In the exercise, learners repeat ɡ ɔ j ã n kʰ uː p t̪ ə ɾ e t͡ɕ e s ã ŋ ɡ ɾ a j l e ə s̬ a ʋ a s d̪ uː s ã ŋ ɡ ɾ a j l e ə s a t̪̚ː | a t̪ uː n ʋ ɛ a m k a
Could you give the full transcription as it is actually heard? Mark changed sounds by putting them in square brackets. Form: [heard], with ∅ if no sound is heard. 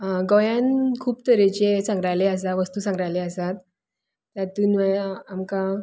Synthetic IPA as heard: ɡ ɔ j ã n kʰ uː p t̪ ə ɾ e t͡ɕ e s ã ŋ ɡ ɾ a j l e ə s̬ a ʋ [ə] s [t̪] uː s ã ŋ ɡ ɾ a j l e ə s a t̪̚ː | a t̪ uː n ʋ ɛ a m k a